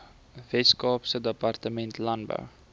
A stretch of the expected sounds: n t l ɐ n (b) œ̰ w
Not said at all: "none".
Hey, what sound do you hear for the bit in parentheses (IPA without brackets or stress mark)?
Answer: b